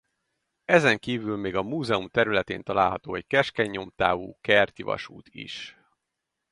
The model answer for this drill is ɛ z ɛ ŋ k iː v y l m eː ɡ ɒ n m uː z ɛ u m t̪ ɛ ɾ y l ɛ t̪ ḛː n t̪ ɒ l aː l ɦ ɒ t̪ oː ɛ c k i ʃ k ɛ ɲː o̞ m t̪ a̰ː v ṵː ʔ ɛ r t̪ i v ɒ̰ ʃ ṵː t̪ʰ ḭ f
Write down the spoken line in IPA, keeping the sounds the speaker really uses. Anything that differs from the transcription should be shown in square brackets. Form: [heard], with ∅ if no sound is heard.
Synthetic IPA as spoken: ɛ z ɛ ŋ k iː v y l m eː ɡ ɒ [∅] m uː z ɛ u m t̪ ɛ ɾ y l ɛ t̪ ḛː n t̪ ɒ l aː l ɦ ɒ t̪ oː ɛ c k [ɛ] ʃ k ɛ ɲː o̞ m t̪ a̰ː v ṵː [k] ɛ r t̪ i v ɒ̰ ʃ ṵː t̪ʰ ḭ [ʃ]